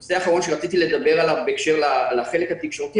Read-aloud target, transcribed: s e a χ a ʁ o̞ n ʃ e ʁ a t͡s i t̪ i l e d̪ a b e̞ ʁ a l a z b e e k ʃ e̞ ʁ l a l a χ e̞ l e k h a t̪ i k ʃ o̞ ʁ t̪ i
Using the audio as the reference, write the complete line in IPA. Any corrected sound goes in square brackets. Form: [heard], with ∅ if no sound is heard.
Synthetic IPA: s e a χ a ʁ o̞ n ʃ e ʁ a t͡s i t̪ i l e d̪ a b e̞ ʁ a l a [v] b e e k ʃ e̞ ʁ l a l a χ e̞ l e k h a t̪ i k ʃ o̞ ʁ t̪ i